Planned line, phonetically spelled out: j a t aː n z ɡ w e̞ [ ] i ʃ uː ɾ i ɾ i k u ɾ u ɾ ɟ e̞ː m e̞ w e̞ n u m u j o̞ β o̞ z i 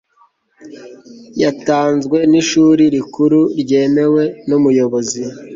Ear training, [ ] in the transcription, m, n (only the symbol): n